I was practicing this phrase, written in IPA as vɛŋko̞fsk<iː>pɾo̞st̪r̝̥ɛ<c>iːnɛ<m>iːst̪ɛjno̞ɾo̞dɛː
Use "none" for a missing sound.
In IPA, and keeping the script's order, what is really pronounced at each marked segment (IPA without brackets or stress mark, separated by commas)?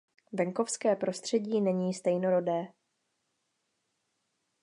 ɛː, ɟ, ɲ